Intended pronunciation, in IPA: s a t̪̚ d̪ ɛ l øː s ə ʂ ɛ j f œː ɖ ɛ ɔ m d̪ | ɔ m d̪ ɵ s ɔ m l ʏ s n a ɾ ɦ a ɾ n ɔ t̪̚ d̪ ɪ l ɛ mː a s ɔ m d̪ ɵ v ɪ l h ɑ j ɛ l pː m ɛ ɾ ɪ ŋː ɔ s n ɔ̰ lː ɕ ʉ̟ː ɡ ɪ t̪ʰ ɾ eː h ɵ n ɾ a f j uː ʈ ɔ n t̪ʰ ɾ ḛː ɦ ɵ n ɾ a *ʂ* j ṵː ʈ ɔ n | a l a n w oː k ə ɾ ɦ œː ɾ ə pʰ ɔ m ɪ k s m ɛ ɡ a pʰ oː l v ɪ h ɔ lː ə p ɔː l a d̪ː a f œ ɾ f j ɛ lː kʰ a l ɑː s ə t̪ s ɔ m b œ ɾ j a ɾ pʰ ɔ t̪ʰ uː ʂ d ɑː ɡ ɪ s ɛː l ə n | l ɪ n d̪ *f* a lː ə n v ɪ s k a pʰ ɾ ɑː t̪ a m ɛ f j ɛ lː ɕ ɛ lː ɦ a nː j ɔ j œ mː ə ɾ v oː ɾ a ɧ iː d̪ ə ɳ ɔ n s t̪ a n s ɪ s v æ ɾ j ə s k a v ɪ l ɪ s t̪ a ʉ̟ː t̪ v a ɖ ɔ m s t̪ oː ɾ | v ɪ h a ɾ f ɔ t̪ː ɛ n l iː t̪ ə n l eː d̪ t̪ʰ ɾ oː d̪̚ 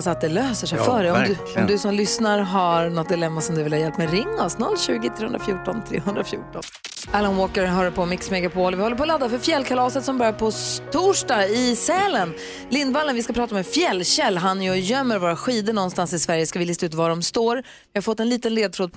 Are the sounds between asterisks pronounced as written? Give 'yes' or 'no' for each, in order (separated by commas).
no, no